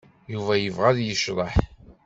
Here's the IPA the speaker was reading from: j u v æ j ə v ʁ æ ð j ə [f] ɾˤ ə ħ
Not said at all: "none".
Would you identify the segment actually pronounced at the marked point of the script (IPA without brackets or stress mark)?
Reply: ʃ